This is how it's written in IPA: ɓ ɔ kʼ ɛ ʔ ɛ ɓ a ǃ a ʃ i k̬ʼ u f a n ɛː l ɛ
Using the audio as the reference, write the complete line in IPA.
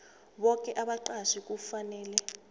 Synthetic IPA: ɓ ɔ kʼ ɛ ʔ a ɓ a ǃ a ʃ i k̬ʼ u f a n ɛː l ɛ